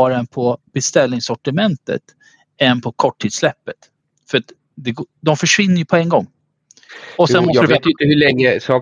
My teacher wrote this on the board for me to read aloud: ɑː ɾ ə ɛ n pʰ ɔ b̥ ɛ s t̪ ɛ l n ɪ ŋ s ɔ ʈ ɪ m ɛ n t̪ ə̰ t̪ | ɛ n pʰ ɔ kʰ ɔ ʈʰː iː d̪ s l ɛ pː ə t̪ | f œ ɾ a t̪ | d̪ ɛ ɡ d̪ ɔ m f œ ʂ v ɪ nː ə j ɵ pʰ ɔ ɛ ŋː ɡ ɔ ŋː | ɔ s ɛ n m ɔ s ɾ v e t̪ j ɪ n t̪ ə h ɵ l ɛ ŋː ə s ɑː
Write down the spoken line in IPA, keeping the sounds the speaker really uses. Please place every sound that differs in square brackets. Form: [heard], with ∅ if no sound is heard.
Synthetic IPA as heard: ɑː ɾ [a] ɛ n pʰ ɔ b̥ ɛ s t̪ ɛ l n ɪ ŋ s ɔ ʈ ɪ m ɛ n t̪ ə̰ t̪ | ɛ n pʰ ɔ kʰ ɔ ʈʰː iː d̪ s l ɛ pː ə t̪ | f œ ɾ a t̪ | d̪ ɛ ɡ d̪ ɔ m f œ ʂ v ɪ nː ə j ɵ pʰ ɔ ɛ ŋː ɡ ɔ ŋː | ɔ s ɛ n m ɔ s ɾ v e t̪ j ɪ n t̪ ə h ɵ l ɛ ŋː ə s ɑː